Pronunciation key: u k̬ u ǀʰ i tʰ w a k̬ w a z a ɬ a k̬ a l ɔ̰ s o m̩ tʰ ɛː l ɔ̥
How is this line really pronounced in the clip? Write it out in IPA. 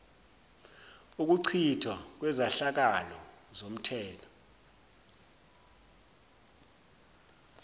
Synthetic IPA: u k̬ u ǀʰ i tʰ w a k̬ w ɛ z a ɬ a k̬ a l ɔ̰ z o m̩ tʰ ɛː l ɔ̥